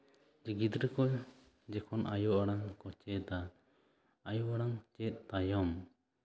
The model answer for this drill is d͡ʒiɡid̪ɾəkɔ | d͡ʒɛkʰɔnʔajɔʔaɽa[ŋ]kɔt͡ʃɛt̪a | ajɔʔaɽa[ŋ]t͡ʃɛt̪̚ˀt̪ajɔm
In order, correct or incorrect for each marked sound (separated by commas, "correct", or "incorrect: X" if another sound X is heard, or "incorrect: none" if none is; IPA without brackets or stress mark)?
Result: correct, correct